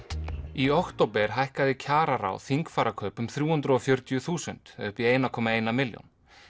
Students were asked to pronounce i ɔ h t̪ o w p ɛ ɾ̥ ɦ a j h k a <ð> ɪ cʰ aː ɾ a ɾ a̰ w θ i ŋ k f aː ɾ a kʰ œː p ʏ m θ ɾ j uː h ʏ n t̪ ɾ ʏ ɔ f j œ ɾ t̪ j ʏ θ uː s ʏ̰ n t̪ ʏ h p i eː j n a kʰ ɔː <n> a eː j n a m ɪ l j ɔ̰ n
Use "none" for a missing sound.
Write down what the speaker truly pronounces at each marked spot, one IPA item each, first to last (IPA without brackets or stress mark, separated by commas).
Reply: ð, m